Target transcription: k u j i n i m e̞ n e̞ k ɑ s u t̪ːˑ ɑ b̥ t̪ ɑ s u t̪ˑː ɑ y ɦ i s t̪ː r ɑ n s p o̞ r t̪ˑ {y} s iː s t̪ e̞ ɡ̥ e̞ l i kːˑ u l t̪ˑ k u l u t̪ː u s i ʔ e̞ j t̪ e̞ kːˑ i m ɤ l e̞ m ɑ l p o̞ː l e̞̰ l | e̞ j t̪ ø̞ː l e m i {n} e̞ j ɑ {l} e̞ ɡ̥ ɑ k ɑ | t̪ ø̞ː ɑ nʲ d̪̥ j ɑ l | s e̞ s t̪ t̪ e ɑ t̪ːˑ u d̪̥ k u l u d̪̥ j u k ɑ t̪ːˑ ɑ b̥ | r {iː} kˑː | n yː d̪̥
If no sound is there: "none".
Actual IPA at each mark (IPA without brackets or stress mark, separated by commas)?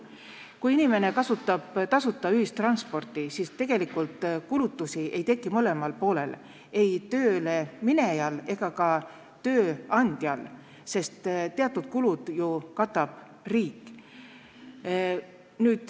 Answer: i, n, l, iː